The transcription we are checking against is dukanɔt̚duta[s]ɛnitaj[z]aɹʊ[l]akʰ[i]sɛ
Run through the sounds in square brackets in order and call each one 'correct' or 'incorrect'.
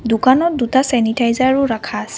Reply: correct, correct, incorrect: ɹ, incorrect: a

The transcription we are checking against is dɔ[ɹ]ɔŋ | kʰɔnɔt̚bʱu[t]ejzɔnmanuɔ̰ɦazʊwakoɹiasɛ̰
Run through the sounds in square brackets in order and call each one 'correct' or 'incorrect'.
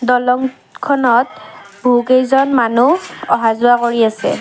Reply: incorrect: l, incorrect: k

